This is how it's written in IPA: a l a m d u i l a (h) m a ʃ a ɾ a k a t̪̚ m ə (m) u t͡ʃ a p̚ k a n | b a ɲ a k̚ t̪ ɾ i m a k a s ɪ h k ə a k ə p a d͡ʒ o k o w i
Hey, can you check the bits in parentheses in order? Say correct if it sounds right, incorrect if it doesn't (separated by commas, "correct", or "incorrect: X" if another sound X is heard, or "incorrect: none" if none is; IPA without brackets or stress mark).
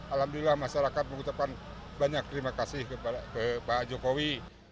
correct, incorrect: ŋ